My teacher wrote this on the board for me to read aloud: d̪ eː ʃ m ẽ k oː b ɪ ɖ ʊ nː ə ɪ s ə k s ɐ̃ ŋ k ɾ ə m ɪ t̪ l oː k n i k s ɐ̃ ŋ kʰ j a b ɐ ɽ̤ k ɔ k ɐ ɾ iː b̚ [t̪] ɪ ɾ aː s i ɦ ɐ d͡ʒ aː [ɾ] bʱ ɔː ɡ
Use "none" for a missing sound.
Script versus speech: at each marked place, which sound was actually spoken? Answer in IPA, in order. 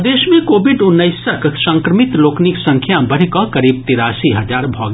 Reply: t̪, ɾ

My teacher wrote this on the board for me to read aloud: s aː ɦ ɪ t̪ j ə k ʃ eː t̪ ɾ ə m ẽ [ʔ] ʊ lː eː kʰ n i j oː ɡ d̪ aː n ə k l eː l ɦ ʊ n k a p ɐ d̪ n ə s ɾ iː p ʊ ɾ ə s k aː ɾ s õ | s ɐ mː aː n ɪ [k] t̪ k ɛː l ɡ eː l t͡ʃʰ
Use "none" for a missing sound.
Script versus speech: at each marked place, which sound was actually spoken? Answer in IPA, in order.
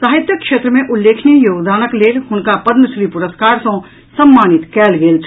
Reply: ʔ, none

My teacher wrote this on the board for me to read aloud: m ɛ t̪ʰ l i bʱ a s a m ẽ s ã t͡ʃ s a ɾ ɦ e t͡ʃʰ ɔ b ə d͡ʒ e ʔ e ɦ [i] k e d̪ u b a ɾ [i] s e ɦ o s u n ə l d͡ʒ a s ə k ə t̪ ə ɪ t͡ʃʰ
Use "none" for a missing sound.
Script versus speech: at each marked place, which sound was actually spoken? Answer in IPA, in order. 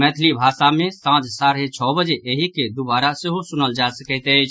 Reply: i, a

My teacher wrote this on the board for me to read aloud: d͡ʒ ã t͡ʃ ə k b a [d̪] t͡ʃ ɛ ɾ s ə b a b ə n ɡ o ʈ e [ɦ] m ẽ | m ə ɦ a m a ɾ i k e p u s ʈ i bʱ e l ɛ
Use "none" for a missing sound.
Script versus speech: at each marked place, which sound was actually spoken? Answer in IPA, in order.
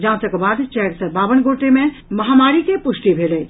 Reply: d̪, none

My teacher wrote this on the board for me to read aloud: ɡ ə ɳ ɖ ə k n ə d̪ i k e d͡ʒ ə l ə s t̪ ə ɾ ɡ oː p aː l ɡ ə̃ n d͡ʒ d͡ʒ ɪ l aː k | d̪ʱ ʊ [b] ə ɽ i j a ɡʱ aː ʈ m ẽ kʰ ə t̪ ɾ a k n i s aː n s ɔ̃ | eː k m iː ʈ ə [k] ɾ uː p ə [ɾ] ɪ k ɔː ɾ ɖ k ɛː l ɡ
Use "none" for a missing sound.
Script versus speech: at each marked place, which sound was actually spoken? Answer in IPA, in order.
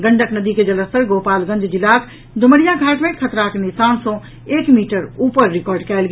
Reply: m, none, ɾː

